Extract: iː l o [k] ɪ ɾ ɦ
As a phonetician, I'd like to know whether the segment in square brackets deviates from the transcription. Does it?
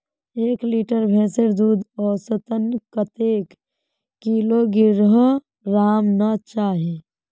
yes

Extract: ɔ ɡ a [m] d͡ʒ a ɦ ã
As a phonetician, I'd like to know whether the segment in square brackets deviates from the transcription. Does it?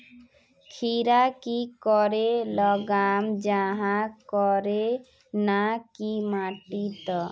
no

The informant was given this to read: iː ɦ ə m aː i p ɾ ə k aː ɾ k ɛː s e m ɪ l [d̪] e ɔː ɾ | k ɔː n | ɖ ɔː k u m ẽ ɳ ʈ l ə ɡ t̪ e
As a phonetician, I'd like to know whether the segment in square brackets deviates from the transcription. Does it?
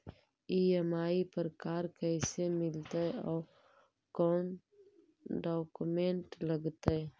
yes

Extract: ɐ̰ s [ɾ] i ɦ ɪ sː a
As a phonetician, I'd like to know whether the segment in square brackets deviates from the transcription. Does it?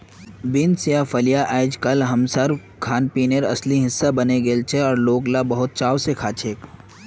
yes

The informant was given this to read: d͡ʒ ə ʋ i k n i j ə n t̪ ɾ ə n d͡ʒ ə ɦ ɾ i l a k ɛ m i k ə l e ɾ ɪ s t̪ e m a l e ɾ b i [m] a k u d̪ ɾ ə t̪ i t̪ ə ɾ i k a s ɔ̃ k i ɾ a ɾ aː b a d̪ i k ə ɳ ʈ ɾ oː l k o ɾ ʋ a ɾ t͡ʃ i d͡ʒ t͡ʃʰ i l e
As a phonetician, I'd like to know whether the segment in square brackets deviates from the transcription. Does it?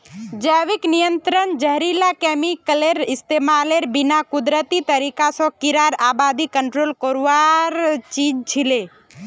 yes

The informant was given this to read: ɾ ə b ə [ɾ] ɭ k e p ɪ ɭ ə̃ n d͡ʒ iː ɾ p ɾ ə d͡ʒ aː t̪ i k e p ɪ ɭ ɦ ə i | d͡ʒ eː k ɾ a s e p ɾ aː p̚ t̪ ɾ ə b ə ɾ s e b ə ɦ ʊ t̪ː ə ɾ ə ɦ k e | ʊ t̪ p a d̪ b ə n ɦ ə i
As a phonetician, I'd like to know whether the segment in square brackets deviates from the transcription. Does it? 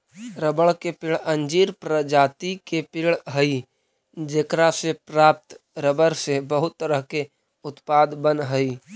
yes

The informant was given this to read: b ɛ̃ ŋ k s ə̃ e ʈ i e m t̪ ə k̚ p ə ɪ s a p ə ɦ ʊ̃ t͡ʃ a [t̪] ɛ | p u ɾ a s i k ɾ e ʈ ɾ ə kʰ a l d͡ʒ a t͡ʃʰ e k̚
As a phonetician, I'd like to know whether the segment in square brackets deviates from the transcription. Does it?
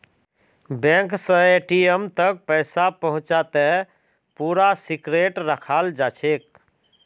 no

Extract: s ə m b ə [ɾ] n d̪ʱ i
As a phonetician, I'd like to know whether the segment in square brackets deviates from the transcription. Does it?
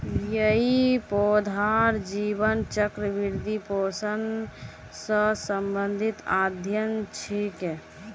yes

